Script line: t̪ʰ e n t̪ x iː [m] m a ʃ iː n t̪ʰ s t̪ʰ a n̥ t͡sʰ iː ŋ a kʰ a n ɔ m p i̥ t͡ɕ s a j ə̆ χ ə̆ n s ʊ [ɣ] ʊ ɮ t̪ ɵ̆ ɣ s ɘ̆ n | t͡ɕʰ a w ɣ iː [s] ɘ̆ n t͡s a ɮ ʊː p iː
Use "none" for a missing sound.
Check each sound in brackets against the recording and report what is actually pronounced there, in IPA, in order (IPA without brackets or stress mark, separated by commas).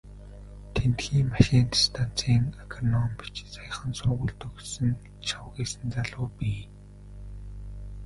ŋ, ɣ, s